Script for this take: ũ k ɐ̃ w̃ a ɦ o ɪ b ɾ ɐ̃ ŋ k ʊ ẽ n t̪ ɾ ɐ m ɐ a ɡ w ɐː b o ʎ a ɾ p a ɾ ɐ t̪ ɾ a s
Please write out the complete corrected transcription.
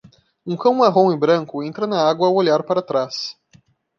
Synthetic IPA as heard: ũ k ɐ̃ w̃ a ɦ õ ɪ b ɾ ɐ̃ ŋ k ʊ ẽ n t̪ ɾ ɐ n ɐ a ɡ w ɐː w o ʎ a ɾ p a ɾ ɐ t̪ ɾ a s